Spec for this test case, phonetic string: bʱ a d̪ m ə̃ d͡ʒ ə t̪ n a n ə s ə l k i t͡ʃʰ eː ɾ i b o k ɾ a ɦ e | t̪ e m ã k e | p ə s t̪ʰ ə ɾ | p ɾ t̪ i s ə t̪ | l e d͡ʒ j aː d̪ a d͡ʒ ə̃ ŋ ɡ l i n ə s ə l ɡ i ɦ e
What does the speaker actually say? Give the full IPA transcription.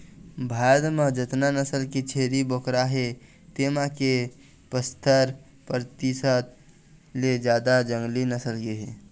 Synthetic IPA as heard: bʱ a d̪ m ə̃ d͡ʒ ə t̪ n a n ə s ə l k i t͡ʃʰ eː ɾ i b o k ɾ a ɦ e | t̪ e m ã k e | p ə s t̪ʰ ə ɾ | p ɾ t̪ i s ə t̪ | l e d͡ʒ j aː d̪ a d͡ʒ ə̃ ŋ ɡ l i n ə s ə l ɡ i ɦ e